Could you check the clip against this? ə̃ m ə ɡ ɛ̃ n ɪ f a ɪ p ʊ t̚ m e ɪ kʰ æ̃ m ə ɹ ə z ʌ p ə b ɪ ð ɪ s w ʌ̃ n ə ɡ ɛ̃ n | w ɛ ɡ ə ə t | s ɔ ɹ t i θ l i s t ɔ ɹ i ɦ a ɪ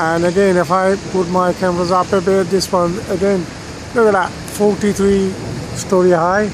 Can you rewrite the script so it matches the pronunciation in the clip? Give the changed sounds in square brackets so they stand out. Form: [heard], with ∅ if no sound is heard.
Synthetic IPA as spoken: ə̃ [n] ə ɡ ɛ̃ n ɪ f a ɪ p ʊ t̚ m [a] ɪ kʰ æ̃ m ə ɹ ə z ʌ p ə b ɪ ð ɪ s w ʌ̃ n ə ɡ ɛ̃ n | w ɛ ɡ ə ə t | [f] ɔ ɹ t i θ [ɹ] i s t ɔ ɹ i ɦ a ɪ